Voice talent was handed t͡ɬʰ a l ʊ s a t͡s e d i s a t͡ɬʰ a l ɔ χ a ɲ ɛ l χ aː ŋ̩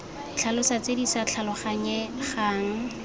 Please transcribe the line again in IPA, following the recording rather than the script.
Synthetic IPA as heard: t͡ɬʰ a l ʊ s a t͡s e d i s a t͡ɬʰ a l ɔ χ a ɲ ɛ χ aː ŋ̩